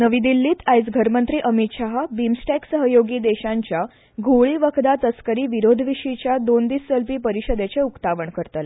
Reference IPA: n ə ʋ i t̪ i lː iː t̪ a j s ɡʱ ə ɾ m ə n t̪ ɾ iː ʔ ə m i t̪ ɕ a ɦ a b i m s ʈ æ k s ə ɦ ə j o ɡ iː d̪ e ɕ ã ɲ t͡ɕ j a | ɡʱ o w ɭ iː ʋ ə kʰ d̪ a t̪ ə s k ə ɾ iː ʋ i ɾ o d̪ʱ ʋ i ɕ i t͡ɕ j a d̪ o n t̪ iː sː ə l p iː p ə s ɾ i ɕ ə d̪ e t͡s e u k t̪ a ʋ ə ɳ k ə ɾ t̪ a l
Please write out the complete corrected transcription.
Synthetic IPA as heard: n ə ʋ i d̪ i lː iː t̪ a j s ɡʱ ə ɾ m ə n t̪ ɾ iː ʔ ə m i t̪ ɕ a ɦ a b i m s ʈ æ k s ə ɦ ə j o ɡ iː d̪ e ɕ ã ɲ t͡ɕ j a | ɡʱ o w ɭ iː ʋ ə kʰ d̪ a t̪ ə s k ə ɾ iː ʋ i ɾ o d̪ʱ ʋ i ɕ i t͡ɕ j a d̪ o n d̪ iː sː ə l p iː p ə ɾ i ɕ ə d̪ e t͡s e u k t̪ a ʋ ə ɳ k ə ɾ t̪ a l

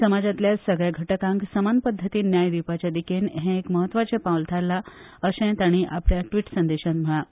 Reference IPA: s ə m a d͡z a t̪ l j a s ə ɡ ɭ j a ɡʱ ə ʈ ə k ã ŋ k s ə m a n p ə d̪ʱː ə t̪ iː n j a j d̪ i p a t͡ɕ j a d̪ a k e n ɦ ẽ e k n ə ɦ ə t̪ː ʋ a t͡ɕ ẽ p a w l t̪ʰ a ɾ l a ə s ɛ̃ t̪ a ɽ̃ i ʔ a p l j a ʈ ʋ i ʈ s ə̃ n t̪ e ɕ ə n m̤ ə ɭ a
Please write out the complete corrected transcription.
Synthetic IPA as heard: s ə m a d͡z a t̪ l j a s ə ɡ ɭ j a ɡʱ ə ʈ ə k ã ŋ k s ə m a n p ə d̪ʱː ə t̪ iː n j a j d̪ i p a t͡ɕ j a d̪ i k e n ɦ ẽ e k m ə ɦ ə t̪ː ʋ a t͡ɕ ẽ p a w l t̪ʰ a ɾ l a ə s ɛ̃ t̪ a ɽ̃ i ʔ a p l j a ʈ ʋ i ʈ s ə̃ n d̪ e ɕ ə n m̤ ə ɭ a

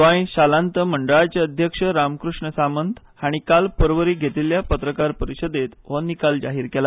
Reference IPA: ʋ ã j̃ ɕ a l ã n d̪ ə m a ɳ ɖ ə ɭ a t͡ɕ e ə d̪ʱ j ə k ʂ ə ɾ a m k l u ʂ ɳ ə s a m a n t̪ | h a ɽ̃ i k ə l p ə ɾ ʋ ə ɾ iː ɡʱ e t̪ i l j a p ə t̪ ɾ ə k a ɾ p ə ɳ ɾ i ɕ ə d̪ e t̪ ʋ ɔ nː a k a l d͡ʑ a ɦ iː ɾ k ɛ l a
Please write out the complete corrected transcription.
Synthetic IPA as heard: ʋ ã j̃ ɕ a l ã n t̪ ə m ə ɳ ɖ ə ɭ a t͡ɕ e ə d̪ʱ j ə k ʂ ə ɾ a m k ɾ u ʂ ɳ ə s a m ə n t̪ | h a ɽ̃ i k a l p ə ɾ ʋ ə ɾ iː ɡʱ e t̪ i l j a p ə t̪ ɾ ə k a ɾ p ə ɾ i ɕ ə d̪ e t̪ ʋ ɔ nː i k a l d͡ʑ a ɦ iː ɾ k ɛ l a

